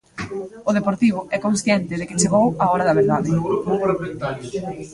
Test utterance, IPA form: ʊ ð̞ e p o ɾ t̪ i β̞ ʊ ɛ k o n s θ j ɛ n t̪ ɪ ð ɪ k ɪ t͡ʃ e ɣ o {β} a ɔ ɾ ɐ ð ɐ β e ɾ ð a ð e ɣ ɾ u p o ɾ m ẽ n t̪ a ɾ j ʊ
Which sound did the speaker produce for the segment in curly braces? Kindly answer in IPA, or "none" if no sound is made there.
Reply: w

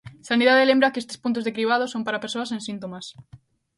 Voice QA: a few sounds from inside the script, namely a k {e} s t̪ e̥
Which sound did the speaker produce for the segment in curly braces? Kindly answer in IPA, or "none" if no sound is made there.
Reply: e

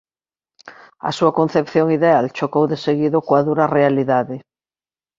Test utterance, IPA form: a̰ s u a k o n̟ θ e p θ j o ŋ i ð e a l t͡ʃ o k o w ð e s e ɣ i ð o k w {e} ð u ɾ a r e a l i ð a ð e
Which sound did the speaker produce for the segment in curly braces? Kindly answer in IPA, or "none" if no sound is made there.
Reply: a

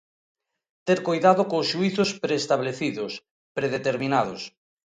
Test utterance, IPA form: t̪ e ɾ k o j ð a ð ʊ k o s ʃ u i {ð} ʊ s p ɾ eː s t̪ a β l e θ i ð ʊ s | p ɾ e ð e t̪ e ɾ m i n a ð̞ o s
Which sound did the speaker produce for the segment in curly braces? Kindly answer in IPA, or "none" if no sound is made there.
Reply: θ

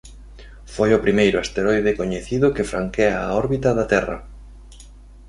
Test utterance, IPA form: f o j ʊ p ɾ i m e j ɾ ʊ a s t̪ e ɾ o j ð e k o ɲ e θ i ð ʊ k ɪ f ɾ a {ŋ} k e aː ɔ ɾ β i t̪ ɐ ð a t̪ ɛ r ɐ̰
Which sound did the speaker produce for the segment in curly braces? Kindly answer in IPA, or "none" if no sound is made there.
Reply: ŋ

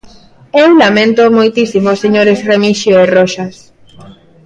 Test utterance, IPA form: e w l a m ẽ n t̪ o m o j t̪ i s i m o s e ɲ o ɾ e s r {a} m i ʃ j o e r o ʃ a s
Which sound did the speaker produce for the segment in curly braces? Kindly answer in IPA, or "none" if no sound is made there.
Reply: e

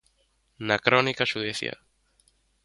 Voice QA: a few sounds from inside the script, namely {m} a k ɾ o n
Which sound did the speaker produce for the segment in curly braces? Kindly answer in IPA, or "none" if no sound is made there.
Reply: n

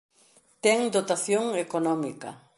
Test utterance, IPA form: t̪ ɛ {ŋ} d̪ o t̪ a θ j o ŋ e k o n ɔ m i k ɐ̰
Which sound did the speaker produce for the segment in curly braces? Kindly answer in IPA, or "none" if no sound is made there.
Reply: ŋ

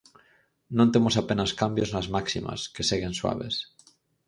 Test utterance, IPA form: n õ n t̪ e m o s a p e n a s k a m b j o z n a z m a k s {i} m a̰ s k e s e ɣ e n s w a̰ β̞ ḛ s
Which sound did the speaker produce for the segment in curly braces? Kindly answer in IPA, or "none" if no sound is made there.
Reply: i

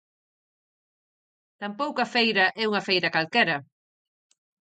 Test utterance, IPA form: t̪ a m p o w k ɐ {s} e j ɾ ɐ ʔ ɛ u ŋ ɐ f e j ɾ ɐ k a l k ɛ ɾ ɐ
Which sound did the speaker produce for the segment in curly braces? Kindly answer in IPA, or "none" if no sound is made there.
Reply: f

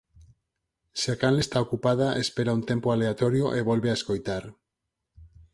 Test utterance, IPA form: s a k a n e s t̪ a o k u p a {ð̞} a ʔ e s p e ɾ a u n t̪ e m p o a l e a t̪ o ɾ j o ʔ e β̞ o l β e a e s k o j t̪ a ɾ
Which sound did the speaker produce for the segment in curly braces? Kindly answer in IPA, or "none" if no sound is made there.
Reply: ð̞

